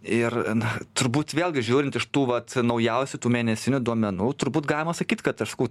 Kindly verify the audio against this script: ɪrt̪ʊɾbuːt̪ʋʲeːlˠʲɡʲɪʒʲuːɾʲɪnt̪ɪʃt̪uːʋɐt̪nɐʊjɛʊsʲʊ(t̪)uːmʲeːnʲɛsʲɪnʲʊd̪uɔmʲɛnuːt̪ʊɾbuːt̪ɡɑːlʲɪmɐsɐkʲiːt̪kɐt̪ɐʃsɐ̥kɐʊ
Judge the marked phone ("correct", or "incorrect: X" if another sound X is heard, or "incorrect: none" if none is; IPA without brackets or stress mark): correct